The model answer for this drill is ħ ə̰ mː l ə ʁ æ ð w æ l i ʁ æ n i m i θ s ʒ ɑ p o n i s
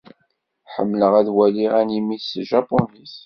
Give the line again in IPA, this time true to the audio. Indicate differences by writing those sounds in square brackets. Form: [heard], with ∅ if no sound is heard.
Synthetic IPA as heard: ħ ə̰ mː l ə ʁ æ ð w æ l i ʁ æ n i m i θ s ʒ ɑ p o n i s